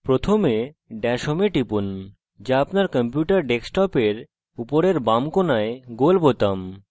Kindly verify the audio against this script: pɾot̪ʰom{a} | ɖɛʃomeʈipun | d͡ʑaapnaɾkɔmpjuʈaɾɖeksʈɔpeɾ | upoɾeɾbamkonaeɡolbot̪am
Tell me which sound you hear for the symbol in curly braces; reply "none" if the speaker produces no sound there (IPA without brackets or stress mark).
e